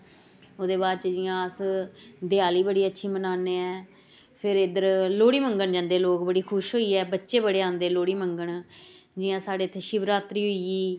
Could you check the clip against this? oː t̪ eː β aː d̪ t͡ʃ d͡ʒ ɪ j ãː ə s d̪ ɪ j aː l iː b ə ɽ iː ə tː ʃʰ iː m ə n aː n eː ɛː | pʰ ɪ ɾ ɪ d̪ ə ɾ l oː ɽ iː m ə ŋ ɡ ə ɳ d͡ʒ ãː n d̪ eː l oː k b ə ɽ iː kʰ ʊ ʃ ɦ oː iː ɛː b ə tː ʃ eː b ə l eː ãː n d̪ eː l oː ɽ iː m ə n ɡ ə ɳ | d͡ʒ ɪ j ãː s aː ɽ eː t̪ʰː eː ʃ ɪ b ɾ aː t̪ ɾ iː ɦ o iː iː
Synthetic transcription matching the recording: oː d̪ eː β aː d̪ t͡ʃ d͡ʒ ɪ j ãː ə s d̪ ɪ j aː l iː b ə ɽ iː ə tː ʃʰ iː m ə n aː n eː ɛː | pʰ ɪ ɾ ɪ d̪ ə ɾ l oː ɽ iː m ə ŋ ɡ ə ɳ d͡ʒ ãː n d̪ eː l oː k b ə ɽ iː kʰ ʊ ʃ ɦ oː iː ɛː b ə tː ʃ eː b ə ɽ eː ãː n d̪ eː l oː ɽ iː m ə ŋ ɡ ə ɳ | d͡ʒ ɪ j ãː s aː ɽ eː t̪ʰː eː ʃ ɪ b ɾ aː t̪ ɾ iː ɦ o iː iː